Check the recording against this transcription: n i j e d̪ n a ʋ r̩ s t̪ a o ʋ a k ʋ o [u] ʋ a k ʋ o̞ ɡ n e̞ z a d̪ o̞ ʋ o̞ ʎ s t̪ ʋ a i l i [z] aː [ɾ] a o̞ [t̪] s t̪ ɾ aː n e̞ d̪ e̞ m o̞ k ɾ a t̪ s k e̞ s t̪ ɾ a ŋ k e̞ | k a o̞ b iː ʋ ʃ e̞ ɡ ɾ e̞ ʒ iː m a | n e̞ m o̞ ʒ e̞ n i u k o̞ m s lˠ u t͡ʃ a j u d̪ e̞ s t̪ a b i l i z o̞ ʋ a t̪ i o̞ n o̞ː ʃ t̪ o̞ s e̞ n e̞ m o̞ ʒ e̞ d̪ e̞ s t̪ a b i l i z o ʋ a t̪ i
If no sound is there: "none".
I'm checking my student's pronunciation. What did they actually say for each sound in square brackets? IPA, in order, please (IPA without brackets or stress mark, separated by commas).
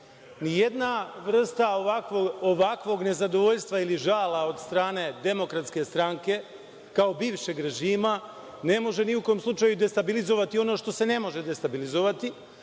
o, ʒ, l, d̪